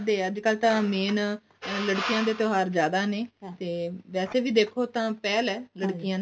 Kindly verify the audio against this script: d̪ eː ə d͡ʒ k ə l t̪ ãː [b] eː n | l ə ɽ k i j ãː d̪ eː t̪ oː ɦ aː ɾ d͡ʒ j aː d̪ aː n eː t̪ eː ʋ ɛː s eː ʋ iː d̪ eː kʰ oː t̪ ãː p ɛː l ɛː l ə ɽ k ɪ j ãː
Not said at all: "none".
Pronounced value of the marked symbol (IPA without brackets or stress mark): m